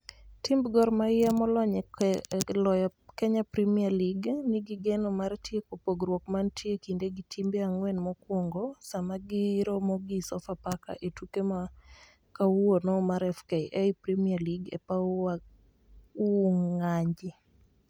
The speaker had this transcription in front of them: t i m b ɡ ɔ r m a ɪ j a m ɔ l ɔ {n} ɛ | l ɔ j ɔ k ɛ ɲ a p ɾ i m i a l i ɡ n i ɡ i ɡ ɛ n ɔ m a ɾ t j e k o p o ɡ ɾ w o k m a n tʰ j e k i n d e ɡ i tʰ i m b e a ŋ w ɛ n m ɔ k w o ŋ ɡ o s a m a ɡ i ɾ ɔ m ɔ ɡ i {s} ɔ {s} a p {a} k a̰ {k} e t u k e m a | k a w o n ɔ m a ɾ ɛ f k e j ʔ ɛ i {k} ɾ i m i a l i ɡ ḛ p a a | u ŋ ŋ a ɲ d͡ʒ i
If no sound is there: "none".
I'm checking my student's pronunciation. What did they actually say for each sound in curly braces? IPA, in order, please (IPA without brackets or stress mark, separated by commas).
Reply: ɲ, s, f, a, ʔ, p